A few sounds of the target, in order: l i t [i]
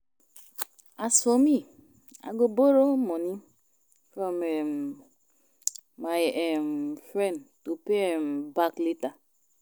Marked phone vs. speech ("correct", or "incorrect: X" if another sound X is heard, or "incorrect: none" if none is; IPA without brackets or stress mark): incorrect: a